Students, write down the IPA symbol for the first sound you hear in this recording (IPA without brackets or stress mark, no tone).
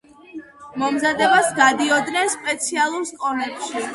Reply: m